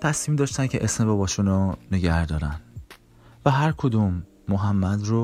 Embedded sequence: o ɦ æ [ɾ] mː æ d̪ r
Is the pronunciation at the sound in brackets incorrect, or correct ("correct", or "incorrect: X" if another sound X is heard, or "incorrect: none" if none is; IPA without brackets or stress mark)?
incorrect: none